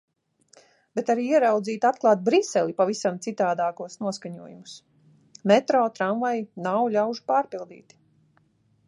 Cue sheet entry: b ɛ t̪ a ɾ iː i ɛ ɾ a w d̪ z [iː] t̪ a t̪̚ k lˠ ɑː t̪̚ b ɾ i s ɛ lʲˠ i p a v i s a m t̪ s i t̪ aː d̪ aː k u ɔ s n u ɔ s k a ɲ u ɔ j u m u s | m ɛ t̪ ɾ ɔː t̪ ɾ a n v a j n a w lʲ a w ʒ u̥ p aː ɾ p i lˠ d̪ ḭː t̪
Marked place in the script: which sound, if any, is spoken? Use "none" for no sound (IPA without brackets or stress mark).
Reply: iː